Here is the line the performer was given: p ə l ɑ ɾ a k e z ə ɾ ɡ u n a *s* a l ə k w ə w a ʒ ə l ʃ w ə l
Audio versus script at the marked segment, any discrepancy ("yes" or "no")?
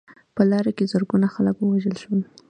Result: yes